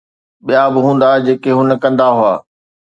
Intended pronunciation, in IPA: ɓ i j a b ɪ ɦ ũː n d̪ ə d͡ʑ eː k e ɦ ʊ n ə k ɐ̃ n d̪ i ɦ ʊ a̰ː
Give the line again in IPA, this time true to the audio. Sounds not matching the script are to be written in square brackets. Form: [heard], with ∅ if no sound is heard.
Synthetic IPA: ɓ i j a b ɪ ɦ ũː n d̪ [a] d͡ʑ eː k e ɦ ʊ n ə k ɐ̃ n d̪ [a] ɦ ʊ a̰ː